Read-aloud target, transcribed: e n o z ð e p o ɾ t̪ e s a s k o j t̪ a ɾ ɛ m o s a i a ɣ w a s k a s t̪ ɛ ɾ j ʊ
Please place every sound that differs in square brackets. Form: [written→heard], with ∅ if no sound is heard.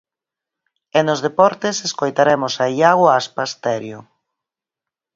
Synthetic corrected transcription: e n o z ð e p [o→ɔ] ɾ t̪ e s [a→e] s k o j t̪ a ɾ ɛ m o s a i a ɣ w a s [k→p] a s t̪ ɛ ɾ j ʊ